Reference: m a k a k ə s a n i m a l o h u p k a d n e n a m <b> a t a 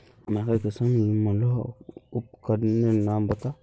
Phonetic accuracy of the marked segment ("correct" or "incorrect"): correct